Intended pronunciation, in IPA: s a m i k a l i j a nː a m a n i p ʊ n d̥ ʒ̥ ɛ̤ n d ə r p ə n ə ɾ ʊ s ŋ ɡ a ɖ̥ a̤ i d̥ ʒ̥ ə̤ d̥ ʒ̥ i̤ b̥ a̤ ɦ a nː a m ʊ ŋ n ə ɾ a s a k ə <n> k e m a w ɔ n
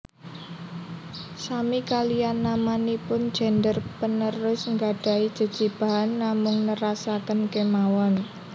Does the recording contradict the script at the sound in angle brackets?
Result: no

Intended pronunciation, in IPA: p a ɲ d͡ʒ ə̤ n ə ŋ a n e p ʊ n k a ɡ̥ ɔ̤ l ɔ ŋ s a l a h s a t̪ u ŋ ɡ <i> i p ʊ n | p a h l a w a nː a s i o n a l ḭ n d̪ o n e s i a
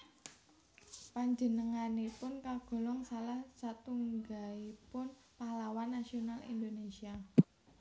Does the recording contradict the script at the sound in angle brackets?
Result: yes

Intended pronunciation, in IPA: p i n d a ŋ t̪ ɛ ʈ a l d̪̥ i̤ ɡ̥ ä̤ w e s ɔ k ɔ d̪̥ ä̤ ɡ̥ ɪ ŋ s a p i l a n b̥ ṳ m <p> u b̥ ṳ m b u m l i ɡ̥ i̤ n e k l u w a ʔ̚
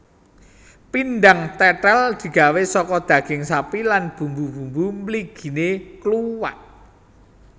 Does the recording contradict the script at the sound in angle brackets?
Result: yes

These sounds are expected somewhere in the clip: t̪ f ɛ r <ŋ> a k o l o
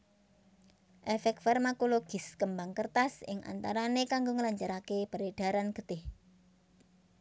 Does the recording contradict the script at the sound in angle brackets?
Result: yes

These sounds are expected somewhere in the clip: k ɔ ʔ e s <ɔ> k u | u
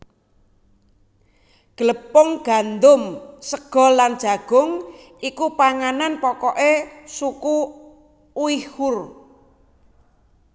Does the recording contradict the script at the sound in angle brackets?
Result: yes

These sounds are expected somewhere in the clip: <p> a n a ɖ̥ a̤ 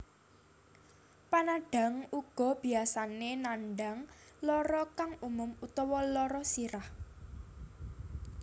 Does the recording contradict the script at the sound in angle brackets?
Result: no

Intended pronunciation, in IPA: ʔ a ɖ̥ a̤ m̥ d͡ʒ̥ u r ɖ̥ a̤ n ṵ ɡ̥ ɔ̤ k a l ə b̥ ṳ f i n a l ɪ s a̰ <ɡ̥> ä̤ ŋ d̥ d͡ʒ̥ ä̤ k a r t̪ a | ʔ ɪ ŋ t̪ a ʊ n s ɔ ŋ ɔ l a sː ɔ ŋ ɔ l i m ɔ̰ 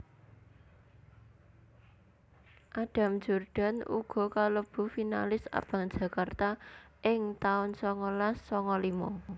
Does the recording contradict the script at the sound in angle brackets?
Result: yes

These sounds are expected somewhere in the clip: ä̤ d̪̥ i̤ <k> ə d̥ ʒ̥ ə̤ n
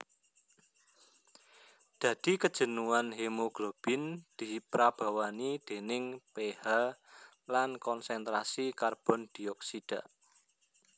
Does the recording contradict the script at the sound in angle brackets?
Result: no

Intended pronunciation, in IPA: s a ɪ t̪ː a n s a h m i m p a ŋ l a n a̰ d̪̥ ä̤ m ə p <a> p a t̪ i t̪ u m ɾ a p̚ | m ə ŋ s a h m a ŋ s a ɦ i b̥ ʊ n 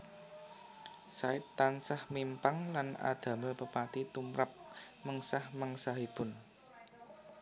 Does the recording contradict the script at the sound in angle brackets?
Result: yes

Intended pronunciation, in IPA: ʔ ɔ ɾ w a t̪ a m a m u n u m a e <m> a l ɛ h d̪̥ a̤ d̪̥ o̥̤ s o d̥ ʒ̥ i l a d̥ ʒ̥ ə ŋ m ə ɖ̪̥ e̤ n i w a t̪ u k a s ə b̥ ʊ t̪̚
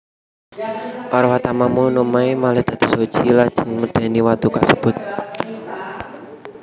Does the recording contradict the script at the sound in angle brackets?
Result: no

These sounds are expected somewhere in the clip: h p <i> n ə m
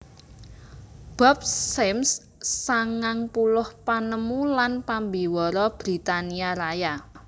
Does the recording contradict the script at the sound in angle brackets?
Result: yes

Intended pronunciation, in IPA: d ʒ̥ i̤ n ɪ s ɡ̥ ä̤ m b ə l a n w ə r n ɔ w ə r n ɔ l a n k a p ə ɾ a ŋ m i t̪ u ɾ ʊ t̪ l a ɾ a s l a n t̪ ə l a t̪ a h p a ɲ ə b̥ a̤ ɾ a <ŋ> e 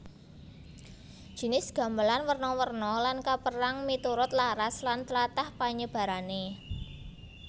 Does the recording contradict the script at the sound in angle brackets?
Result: yes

